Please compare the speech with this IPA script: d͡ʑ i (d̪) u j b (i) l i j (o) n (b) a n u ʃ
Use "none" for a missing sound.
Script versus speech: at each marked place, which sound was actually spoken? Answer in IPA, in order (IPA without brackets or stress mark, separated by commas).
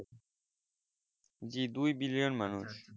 d̪, i, o, m